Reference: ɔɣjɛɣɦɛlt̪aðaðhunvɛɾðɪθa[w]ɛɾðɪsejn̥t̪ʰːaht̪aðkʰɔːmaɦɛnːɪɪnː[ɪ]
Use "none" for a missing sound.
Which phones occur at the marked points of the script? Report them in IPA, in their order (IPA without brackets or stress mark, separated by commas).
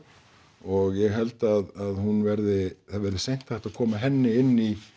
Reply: v, i